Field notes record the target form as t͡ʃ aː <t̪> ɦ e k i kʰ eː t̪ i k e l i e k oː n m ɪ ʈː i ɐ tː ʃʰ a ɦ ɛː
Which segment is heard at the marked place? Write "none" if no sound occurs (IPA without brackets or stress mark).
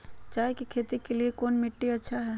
none